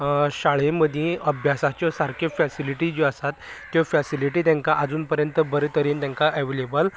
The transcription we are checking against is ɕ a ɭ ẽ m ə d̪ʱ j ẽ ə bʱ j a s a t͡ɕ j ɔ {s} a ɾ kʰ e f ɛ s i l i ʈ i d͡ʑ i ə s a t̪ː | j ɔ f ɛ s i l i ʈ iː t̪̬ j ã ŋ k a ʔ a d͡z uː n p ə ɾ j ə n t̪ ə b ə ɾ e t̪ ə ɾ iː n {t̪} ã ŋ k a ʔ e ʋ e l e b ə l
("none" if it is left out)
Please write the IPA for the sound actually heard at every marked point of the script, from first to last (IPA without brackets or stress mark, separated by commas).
s, t̪